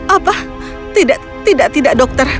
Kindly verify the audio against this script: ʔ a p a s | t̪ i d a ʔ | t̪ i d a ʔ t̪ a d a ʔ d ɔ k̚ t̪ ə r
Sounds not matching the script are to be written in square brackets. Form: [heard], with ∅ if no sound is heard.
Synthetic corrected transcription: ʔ a p a [h] | t̪ i d a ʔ | t̪ i d a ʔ t̪ [i] d a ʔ d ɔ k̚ t̪ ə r